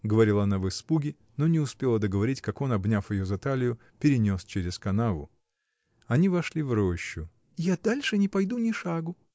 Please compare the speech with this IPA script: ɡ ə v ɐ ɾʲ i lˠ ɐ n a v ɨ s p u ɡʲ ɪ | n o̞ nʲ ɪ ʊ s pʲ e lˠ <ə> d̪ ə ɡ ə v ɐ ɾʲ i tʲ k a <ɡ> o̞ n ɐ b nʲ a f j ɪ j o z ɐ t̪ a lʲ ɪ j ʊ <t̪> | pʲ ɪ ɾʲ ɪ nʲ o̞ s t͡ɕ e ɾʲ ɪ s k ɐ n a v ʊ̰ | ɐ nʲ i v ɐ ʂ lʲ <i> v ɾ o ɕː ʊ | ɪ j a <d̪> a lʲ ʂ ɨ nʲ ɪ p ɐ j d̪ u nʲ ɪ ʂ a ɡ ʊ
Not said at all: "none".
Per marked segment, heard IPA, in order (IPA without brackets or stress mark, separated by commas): ə, k, none, i, d̪